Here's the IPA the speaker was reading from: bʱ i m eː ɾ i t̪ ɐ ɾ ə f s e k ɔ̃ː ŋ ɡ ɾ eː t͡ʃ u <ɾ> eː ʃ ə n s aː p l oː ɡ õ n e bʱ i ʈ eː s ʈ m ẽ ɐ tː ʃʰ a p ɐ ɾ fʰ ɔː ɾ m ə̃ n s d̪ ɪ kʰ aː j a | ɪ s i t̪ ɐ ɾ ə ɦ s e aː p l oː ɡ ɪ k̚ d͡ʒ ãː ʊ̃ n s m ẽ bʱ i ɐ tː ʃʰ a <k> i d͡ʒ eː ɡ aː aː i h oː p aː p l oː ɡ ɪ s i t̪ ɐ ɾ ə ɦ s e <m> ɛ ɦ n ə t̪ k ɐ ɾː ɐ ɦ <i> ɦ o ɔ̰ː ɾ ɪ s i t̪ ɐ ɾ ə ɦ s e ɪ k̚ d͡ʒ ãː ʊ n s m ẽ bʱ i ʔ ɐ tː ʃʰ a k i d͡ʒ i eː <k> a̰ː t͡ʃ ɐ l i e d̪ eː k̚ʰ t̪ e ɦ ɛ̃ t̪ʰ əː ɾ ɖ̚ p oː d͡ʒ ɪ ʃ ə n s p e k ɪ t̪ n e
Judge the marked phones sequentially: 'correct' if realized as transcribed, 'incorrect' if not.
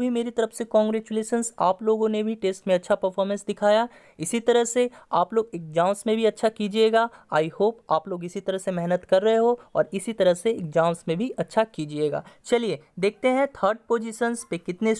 incorrect, correct, correct, incorrect, incorrect

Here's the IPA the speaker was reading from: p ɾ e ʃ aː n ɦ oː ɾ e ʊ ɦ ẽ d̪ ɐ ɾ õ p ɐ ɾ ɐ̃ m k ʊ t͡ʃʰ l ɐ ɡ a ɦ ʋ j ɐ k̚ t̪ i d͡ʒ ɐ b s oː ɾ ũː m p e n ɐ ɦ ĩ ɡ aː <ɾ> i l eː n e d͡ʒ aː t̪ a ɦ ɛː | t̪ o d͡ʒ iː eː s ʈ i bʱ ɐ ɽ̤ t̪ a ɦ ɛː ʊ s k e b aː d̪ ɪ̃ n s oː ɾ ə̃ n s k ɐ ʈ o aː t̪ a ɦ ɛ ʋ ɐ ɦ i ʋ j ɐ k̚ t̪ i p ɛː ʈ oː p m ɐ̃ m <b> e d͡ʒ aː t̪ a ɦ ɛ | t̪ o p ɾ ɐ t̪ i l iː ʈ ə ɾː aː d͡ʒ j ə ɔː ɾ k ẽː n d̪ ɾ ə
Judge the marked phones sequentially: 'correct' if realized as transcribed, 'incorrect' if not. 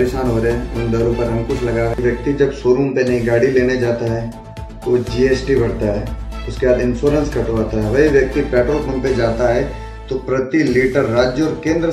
incorrect, incorrect

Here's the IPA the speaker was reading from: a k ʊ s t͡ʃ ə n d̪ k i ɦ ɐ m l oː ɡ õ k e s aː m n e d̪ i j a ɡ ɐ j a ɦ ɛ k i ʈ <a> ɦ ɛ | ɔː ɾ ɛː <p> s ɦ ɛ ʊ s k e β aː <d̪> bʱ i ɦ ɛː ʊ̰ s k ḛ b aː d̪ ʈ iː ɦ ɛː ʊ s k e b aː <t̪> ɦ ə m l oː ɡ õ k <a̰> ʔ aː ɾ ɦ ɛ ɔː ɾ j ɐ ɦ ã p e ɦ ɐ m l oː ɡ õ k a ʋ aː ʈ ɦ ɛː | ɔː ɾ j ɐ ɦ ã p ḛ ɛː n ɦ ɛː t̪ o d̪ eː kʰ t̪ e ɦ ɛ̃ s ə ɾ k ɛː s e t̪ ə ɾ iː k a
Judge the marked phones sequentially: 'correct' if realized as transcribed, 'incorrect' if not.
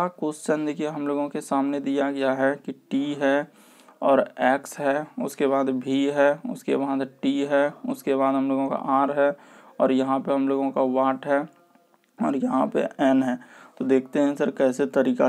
incorrect, incorrect, correct, incorrect, correct

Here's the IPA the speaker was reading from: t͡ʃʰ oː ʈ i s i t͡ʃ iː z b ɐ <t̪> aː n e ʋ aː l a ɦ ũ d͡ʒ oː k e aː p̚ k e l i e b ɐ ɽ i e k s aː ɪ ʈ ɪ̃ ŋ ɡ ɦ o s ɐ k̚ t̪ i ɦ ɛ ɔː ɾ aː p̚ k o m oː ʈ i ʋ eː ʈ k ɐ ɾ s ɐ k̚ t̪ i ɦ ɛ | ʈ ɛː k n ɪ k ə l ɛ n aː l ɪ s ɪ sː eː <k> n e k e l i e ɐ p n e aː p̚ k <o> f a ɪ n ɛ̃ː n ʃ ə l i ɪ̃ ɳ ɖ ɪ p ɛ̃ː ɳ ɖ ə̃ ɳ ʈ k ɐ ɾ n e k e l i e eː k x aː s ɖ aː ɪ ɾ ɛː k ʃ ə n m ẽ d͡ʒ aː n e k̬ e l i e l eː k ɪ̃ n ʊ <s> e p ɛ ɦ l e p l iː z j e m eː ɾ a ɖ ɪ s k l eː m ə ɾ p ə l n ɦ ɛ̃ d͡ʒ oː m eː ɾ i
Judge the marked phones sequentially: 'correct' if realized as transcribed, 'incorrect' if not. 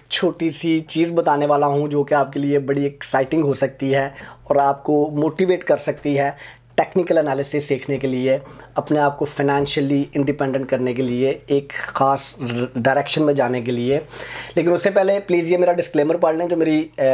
correct, incorrect, correct, incorrect

